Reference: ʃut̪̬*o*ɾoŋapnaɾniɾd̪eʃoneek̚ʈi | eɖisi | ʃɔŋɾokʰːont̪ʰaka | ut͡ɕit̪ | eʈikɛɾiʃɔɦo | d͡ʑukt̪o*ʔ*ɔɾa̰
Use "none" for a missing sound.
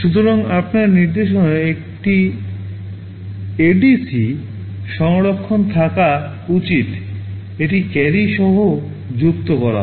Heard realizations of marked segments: o, k

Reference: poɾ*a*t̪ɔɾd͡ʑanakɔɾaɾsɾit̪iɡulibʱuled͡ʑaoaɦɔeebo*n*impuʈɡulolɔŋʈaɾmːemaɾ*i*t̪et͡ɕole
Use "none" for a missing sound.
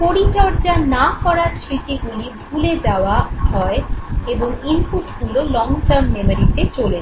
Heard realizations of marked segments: i, ŋ, i

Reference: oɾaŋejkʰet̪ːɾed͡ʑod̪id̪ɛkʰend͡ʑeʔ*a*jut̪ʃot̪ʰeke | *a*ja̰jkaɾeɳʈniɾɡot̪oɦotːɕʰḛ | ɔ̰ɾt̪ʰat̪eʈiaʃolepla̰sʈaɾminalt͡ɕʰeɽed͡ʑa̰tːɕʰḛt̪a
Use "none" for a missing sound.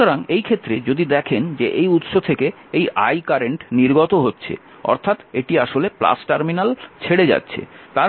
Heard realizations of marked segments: e, e

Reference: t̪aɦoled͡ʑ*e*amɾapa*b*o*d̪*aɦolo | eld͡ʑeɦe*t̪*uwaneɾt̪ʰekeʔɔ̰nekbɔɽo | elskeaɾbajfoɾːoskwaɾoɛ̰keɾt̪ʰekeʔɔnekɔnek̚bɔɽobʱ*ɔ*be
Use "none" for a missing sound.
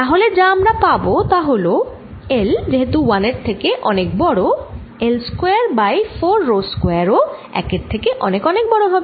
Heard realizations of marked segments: a, b, t̪, t̪, ɔ

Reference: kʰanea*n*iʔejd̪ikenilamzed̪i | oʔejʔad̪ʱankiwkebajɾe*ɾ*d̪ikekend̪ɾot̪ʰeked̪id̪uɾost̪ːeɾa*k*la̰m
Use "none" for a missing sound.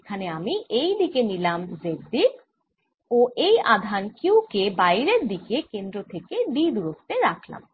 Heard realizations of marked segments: m, ɾ, kʰ

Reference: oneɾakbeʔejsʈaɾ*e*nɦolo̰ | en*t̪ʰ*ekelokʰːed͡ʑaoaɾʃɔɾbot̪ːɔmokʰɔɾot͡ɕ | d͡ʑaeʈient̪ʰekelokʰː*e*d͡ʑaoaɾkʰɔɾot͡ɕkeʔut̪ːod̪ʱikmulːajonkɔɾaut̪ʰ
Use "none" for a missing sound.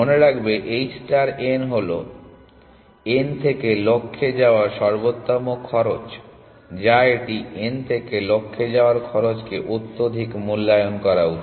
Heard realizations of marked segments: e, t̪ʰ, e

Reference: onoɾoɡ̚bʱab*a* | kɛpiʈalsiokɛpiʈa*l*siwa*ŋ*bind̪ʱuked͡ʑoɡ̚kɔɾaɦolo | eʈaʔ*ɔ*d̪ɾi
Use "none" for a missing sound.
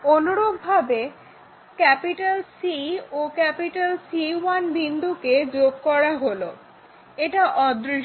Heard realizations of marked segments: e, l, n, ɔ

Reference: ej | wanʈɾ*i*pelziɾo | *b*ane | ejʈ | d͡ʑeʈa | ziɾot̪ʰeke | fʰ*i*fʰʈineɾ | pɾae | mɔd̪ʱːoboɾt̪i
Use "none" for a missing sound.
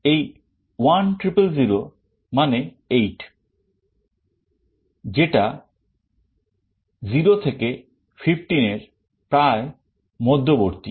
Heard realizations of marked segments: i, m, i

